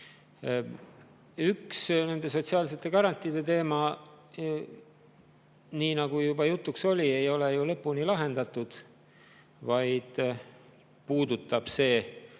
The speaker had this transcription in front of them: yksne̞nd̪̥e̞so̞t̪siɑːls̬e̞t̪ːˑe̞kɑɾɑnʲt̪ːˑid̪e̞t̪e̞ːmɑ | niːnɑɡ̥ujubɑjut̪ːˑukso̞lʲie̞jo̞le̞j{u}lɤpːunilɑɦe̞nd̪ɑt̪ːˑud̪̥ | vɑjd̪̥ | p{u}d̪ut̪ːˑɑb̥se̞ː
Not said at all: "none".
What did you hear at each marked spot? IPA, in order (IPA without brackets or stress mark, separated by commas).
u, uː